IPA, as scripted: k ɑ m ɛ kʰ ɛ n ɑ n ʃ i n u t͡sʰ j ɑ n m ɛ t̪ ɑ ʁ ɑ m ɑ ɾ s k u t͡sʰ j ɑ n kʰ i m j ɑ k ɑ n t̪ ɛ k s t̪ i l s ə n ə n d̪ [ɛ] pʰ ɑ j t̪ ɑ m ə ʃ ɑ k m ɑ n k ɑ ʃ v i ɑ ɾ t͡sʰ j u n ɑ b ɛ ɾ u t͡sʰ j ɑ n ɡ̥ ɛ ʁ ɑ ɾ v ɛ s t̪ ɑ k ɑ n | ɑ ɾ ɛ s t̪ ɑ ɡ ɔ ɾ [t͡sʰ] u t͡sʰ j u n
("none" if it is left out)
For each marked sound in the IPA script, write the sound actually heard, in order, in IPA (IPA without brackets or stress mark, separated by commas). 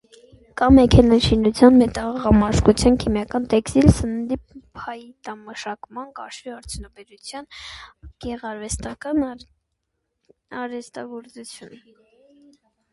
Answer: i, t͡s